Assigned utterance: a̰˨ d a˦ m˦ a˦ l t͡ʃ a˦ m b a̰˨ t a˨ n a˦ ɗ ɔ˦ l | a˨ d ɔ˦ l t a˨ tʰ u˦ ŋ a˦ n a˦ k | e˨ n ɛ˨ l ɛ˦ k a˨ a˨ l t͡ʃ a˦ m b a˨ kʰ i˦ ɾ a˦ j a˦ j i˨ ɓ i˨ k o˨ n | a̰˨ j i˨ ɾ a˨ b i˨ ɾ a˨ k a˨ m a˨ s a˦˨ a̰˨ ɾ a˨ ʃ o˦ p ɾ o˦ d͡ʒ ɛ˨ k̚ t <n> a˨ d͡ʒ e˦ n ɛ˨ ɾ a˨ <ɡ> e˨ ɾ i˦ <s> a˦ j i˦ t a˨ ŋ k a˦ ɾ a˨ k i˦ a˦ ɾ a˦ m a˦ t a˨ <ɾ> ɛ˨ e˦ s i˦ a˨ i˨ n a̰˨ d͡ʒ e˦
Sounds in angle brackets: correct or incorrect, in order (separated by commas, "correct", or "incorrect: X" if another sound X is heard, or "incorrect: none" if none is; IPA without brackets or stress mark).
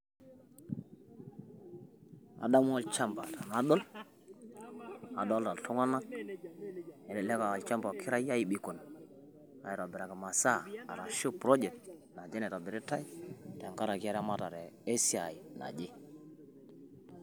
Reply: correct, incorrect: b, incorrect: t, correct